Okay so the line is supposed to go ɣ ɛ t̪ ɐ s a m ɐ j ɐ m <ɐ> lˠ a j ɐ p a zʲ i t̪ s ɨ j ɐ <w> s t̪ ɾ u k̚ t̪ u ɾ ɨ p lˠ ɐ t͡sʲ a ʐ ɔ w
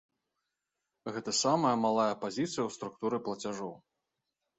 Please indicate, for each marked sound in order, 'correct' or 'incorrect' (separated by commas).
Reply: incorrect, correct